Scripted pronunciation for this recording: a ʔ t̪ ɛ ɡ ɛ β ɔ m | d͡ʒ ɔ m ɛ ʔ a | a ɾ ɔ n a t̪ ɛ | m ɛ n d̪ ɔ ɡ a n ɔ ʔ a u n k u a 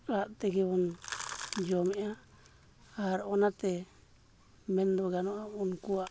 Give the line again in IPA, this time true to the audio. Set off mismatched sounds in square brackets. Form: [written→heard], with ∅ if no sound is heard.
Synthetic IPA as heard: a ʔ t̪ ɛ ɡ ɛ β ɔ [m→n] | d͡ʒ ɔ m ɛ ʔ a | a ɾ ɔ n a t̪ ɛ | m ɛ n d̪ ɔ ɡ a n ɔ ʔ a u n k u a